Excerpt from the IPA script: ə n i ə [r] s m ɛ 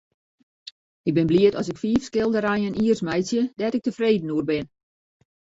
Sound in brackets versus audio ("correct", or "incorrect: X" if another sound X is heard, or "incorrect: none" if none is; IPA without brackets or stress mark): correct